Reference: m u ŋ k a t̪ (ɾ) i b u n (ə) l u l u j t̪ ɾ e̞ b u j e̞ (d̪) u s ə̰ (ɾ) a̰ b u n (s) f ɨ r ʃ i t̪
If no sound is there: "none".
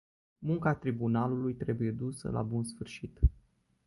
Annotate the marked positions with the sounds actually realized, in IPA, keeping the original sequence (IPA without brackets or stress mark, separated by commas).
ɾ, a, d̪, l, s